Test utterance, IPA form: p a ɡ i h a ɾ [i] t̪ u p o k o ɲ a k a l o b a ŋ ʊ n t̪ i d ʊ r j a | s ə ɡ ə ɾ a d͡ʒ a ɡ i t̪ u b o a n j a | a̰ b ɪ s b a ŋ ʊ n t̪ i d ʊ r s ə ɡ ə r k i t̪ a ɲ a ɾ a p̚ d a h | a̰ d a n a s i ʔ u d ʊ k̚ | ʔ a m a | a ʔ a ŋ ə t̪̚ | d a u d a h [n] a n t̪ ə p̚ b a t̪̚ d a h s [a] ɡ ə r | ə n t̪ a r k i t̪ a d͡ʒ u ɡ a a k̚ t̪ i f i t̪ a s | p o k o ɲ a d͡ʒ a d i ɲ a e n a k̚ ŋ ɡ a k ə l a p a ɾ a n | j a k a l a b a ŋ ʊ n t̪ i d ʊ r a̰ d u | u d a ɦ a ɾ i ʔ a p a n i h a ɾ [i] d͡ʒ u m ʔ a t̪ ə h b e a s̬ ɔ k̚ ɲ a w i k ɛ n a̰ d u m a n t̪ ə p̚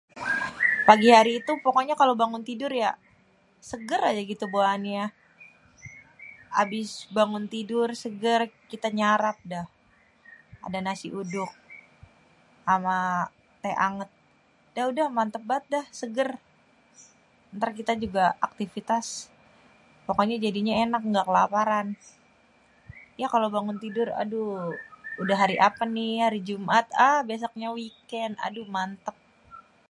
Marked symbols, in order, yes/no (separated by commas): no, no, no, yes